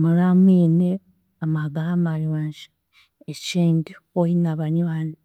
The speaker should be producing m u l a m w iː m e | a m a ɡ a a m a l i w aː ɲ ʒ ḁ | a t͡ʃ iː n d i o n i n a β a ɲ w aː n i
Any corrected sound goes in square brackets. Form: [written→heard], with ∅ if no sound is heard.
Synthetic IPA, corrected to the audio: m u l a m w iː [m→n] e | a m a ɡ a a m a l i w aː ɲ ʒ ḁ | [a→e] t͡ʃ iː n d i o [n→∅] i n a β a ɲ w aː n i